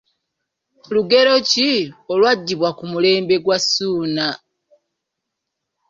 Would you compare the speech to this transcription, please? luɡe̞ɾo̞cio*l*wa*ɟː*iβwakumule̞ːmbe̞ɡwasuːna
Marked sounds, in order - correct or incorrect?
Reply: correct, correct

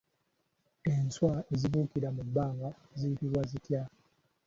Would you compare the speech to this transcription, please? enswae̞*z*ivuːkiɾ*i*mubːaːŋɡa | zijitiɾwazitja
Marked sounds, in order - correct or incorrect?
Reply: correct, incorrect

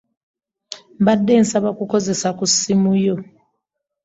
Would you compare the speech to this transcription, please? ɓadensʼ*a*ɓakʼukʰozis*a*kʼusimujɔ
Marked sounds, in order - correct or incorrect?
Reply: correct, correct

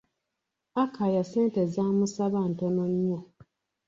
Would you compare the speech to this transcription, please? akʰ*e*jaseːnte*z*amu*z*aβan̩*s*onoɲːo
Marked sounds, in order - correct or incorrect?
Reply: incorrect, correct, incorrect, incorrect

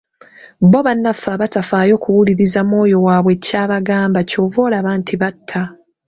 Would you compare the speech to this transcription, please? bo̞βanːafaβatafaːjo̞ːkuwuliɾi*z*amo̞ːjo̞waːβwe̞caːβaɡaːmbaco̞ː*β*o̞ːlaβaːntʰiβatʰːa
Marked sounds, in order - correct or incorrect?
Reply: correct, incorrect

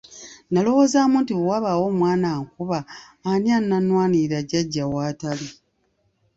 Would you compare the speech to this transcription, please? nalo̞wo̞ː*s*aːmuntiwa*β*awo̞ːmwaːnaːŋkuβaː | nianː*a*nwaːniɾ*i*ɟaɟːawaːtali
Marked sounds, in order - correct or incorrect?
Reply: incorrect, correct, correct, incorrect

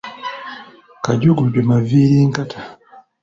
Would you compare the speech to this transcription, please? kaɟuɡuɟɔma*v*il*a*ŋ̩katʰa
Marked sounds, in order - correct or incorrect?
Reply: correct, incorrect

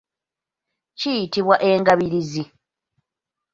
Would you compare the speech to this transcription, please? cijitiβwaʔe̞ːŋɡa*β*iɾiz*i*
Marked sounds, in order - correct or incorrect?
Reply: correct, correct

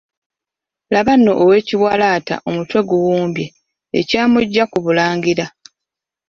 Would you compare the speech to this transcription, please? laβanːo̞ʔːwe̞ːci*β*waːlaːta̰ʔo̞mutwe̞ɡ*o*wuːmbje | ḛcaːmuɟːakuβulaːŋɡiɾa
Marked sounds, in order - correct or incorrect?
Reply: correct, incorrect

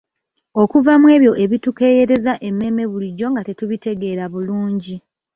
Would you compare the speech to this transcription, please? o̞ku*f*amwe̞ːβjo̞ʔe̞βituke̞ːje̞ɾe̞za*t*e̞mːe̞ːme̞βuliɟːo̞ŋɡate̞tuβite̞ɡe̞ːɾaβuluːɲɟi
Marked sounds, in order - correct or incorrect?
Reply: incorrect, incorrect

